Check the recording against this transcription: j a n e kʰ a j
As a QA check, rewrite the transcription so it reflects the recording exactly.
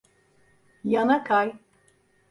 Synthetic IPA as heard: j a n a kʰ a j